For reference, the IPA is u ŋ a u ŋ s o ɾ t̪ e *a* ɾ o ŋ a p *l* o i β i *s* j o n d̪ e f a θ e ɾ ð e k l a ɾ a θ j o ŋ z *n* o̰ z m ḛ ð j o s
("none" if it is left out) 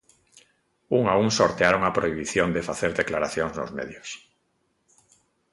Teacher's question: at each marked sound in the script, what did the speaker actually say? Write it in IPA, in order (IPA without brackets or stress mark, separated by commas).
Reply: a, ɾ, θ, n